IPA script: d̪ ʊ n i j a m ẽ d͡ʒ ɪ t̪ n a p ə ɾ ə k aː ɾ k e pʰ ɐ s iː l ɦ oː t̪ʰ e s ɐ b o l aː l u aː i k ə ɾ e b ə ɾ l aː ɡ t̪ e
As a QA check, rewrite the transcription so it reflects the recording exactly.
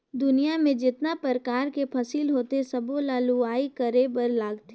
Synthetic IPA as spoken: d̪ ʊ n i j a m ẽ d͡ʒ ɪ t̪ n a p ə ɾ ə k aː ɾ k e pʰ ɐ s iː l ɦ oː t̪ e s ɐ b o l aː l u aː i k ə ɾ e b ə ɾ l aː ɡ t̪ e